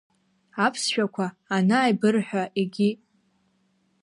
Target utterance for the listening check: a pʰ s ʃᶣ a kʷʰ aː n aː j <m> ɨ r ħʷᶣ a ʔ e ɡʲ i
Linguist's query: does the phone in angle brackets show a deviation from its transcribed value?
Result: yes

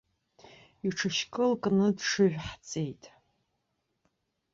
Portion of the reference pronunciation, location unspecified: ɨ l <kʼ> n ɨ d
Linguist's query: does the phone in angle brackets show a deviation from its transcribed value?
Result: no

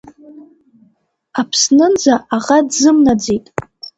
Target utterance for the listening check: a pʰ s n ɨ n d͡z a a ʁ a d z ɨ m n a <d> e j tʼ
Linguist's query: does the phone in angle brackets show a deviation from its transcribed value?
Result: yes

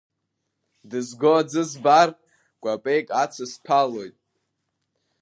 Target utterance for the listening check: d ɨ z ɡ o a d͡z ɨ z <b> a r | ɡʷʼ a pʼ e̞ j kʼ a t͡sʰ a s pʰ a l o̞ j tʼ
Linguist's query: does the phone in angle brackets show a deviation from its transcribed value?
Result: no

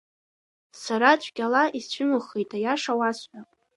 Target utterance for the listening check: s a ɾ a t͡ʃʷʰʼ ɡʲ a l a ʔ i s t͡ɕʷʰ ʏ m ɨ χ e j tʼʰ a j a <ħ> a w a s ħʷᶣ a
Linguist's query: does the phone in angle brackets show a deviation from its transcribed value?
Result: yes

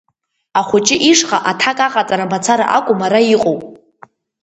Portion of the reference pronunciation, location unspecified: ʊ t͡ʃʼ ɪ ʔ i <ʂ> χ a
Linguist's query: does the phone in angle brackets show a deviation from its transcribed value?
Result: no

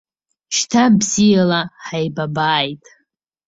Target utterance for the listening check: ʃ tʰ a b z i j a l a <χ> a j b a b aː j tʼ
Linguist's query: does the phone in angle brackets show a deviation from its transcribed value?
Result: yes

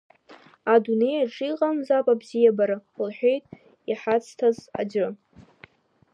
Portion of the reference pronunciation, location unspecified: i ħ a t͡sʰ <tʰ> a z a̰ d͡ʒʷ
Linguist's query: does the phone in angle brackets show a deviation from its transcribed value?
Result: no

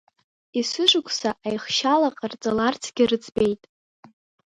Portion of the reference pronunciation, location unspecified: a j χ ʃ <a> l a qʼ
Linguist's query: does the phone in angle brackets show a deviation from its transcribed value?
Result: no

